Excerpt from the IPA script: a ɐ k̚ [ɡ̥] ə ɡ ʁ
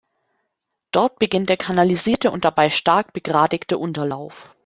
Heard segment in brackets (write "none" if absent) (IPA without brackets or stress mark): b̥